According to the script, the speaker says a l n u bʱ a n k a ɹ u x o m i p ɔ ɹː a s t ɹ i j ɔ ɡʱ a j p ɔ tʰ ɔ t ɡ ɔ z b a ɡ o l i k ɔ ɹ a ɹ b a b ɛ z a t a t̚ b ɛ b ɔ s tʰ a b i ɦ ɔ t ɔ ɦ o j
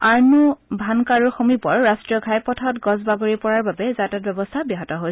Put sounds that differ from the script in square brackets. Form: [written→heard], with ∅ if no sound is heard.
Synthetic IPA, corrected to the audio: a [l→ɹ] n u bʱ a n k a ɹ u x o m i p ɔ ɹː a s t ɹ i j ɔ ɡʱ a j p ɔ tʰ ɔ t ɡ ɔ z b a ɡ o [l→ɹ] i [k→p] ɔ ɹ a ɹ b a b ɛ z a t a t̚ b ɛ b ɔ s tʰ a b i ɦ ɔ t ɔ ɦ o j